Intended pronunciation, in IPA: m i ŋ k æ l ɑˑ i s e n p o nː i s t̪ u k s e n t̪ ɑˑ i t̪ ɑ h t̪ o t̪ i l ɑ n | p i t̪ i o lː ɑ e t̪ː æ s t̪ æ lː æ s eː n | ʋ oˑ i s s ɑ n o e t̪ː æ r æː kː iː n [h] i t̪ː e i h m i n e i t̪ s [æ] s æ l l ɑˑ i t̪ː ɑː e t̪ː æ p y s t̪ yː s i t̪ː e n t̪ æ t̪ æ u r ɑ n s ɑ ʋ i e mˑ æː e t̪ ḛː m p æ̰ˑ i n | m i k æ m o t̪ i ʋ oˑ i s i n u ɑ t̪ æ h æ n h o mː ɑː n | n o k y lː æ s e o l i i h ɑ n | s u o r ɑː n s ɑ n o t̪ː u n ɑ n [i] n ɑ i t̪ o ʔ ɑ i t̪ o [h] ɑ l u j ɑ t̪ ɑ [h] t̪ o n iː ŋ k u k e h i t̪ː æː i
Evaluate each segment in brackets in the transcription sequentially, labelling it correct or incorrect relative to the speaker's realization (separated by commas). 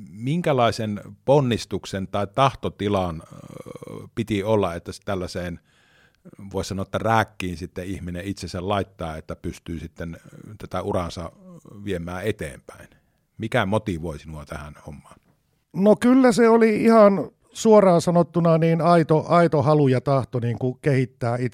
incorrect, incorrect, incorrect, correct, correct